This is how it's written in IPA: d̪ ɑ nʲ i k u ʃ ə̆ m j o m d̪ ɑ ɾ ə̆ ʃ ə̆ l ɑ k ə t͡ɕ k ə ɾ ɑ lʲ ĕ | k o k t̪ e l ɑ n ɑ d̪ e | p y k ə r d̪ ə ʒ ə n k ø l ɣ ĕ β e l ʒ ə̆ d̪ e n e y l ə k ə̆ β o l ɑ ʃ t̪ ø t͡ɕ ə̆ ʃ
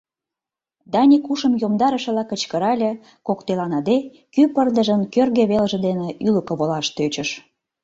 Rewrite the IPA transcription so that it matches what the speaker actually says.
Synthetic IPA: d̪ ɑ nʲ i k u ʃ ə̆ m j o m d̪ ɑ ɾ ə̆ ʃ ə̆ l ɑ k ə t͡ɕ k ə ɾ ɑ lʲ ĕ | k o k t̪ e l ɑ n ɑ d̪ e | k y p ə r d̪ ə ʒ ə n k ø r ɣ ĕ β e l ʒ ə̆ d̪ e n e y l ə k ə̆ β o l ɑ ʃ t̪ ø t͡ɕ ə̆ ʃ